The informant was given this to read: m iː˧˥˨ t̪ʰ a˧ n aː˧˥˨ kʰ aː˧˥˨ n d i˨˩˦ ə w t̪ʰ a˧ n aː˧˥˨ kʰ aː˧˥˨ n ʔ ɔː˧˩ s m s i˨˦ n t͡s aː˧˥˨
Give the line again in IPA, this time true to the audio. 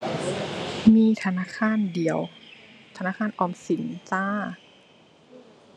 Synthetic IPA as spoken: m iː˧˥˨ t̪ʰ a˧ n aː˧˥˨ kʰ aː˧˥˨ n d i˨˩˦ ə w t̪ʰ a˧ n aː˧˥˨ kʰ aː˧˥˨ n ʔ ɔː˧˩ m s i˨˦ n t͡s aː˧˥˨